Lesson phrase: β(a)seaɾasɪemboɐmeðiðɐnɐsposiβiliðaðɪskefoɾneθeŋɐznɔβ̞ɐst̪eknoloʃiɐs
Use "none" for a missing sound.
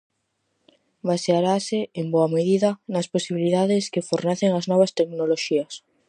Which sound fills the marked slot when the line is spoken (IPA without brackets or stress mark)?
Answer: a